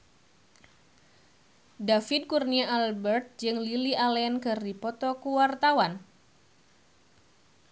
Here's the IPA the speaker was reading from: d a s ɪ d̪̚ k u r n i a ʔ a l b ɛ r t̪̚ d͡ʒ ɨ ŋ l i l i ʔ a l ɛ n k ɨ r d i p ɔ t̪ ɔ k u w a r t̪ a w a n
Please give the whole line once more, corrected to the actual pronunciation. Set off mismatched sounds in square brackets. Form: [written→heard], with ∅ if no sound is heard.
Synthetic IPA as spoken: d a [s→f] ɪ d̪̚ k u r n i a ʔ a l b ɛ r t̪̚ d͡ʒ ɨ ŋ l i l i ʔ a l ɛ n k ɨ r d i p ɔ t̪ ɔ k u w a r t̪ a w a n